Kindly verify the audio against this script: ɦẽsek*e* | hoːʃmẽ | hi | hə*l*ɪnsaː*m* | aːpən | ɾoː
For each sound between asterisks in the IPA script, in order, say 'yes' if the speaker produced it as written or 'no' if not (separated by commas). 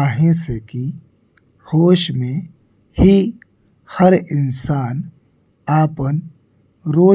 no, no, no